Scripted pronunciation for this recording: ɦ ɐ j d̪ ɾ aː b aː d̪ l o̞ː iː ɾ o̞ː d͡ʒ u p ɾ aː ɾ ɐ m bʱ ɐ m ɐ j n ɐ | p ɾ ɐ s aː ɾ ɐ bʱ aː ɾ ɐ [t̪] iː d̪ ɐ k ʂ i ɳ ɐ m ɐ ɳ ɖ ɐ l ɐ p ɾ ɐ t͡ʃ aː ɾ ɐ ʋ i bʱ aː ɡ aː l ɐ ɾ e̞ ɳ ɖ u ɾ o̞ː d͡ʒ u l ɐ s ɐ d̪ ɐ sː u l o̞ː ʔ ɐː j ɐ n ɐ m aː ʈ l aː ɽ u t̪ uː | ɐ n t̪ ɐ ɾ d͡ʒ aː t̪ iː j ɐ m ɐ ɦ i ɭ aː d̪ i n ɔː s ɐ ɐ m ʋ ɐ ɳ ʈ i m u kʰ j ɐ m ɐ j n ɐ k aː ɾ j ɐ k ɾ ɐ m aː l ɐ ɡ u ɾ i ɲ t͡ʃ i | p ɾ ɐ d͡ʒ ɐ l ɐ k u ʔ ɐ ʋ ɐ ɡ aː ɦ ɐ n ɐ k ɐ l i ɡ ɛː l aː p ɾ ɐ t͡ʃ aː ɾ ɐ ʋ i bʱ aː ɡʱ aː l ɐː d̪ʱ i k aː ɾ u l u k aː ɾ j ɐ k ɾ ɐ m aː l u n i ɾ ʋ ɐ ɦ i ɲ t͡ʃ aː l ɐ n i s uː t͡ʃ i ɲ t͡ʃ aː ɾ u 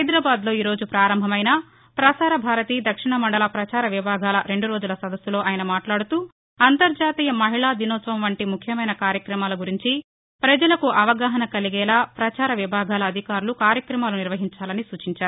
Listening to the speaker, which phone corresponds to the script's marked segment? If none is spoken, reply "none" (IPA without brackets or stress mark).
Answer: t̪